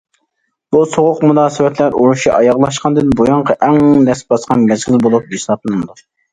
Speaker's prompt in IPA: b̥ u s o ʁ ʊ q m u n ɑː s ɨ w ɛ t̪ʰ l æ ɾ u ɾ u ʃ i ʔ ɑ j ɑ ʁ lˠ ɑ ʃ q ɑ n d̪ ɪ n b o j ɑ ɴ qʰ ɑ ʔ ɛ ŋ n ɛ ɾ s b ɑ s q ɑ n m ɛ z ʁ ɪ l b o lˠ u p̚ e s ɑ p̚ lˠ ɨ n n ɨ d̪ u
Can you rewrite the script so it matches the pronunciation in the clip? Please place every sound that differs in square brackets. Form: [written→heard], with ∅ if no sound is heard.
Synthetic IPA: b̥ u s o ʁ ʊ q m u n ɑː s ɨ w ɛ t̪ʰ l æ ɾ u ɾ u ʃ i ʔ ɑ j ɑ ʁ lˠ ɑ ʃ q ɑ n d̪ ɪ n b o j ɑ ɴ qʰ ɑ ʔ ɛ ŋ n ɛ [ɾ→∅] s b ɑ s q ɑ n m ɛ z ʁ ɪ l b o lˠ u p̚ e s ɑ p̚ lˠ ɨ n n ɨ d̪ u